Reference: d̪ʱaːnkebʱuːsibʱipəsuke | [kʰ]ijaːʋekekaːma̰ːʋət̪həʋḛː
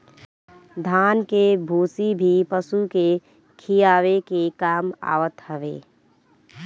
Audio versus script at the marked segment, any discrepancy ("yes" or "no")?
no